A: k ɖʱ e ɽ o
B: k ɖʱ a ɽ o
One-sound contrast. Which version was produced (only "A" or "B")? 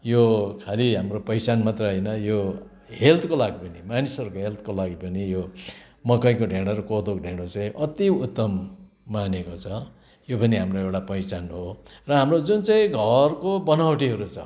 A